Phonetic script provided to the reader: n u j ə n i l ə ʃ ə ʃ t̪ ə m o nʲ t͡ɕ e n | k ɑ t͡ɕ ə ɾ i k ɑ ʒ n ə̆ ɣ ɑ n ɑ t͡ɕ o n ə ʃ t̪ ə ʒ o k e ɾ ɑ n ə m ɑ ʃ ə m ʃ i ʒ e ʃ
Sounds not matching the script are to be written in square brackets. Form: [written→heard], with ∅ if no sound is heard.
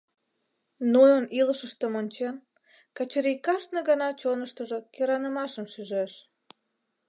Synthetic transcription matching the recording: n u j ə n i l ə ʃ ə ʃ t̪ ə m o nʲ t͡ɕ e n | k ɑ t͡ɕ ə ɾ i k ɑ [ʒ→ʃ] n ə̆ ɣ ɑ n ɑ t͡ɕ o n ə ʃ t̪ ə ʒ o k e ɾ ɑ n ə m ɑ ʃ ə m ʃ [i→y] ʒ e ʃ